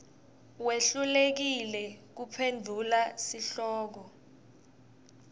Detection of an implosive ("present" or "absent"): absent